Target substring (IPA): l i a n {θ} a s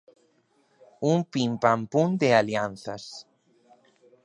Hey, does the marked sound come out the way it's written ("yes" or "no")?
yes